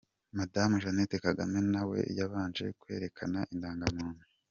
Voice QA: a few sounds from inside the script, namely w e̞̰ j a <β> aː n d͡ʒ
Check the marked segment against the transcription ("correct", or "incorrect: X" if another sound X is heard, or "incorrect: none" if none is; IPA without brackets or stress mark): correct